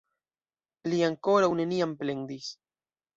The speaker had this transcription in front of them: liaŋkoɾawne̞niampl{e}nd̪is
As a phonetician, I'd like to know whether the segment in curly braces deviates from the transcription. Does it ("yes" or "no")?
no